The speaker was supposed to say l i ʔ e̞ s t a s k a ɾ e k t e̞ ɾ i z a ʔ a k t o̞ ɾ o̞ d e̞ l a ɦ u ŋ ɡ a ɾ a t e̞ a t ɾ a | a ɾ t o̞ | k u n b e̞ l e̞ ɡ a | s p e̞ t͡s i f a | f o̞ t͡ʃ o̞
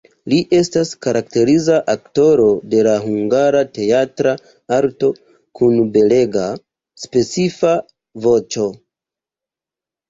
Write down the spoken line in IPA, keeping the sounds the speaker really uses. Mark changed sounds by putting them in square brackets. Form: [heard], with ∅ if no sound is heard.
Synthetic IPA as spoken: l i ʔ e̞ s t a s k a ɾ [a] k t e̞ ɾ i z a ʔ a k t o̞ ɾ o̞ d e̞ l a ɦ u ŋ ɡ a ɾ a t e̞ a t ɾ a | a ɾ t o̞ | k u n b e̞ l e̞ ɡ a | s p e̞ t͡s i f a | [v] o̞ t͡ʃ o̞